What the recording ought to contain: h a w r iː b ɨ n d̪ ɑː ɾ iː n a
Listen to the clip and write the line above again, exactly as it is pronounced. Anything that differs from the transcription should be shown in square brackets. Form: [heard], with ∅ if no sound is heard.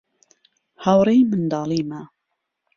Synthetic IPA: h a w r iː [m] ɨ n d̪ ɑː [l] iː [m] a